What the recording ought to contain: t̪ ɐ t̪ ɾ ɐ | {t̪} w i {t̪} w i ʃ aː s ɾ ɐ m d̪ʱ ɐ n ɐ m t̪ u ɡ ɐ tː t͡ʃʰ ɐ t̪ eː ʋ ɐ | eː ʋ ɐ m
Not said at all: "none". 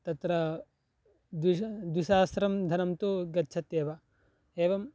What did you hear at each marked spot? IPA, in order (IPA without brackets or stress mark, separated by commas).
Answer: d̪, d̪